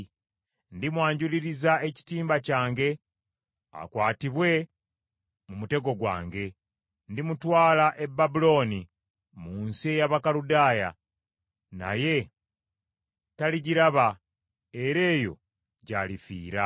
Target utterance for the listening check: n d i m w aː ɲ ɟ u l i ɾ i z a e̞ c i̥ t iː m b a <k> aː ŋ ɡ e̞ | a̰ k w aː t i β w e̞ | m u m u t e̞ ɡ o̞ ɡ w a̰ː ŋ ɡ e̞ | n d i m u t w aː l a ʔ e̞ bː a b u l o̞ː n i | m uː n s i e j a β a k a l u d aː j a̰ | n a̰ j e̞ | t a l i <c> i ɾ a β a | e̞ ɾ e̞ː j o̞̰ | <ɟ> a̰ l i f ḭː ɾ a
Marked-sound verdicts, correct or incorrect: incorrect: c, incorrect: ɟ, correct

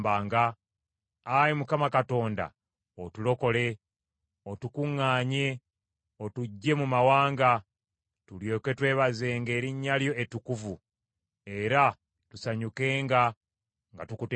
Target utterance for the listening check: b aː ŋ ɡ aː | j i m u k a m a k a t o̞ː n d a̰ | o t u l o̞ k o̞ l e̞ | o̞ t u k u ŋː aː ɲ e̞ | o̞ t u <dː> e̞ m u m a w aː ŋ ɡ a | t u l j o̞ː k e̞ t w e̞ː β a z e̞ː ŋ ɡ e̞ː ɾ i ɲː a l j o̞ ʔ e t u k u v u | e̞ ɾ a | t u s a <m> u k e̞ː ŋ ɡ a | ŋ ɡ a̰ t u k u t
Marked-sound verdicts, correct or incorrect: incorrect: ɟː, incorrect: ɲ

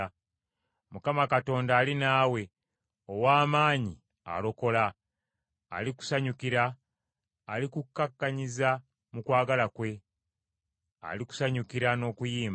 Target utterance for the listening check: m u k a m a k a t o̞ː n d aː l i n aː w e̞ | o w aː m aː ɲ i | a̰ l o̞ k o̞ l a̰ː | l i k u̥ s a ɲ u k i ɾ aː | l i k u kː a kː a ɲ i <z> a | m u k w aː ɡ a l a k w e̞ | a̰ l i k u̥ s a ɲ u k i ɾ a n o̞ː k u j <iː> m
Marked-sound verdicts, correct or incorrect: correct, correct

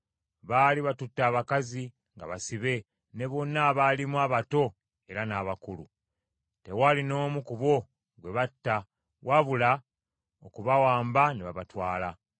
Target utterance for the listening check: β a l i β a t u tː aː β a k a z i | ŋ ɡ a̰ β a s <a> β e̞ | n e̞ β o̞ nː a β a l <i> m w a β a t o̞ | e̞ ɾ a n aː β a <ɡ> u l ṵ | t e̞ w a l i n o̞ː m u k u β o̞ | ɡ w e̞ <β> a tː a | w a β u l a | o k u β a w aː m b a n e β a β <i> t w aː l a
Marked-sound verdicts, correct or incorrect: incorrect: i, correct, incorrect: k, correct, incorrect: a

